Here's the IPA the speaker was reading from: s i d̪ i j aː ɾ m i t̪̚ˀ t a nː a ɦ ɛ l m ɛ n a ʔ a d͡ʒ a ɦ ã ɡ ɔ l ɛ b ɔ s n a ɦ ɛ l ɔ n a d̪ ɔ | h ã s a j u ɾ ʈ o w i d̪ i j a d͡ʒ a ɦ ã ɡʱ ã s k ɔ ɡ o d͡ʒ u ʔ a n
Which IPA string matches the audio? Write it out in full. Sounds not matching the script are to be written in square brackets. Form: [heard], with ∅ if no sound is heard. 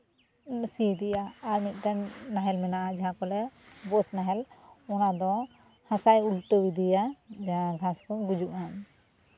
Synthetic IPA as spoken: s i d̪ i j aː ɾ m i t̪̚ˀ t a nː a ɦ ɛ l m ɛ n a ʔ a d͡ʒ a ɦ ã [k] ɔ l ɛ b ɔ s n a ɦ ɛ l ɔ n a d̪ ɔ | h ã s a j u [l] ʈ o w i d̪ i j a d͡ʒ a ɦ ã ɡʱ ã s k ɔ ɡ [u] d͡ʒ u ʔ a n